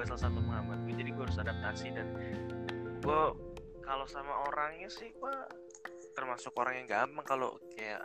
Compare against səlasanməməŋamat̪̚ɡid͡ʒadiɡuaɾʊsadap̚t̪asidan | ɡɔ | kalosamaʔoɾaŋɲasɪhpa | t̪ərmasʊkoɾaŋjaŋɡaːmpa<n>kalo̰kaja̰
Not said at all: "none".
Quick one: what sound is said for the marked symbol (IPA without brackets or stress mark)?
ŋ